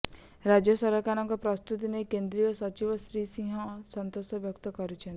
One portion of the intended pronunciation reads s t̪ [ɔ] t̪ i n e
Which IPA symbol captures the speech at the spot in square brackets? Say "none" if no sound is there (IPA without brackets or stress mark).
u